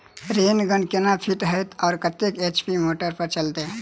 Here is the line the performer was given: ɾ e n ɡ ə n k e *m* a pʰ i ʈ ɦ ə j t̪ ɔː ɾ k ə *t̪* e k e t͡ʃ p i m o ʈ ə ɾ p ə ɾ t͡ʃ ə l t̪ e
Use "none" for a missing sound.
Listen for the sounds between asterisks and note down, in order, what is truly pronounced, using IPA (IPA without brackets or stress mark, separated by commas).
n, t̪